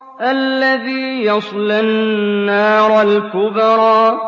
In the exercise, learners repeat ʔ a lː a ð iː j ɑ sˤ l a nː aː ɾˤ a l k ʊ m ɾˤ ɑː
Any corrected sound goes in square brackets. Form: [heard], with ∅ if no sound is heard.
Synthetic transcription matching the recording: ʔ a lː a ð iː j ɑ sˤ l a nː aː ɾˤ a l k ʊ [b] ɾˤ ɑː